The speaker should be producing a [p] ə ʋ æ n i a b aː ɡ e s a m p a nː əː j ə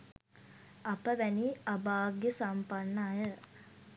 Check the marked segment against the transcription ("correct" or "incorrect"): correct